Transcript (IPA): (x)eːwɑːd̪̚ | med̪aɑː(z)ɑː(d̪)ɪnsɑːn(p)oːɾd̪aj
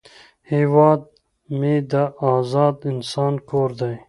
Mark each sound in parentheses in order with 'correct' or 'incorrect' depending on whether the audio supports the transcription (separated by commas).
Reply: incorrect, correct, correct, incorrect